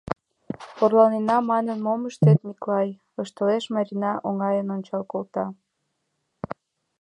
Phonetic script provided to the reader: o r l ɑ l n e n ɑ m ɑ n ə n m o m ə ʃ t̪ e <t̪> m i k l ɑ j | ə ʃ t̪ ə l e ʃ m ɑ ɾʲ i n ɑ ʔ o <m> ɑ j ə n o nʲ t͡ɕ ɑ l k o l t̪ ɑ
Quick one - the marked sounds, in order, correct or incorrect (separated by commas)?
correct, incorrect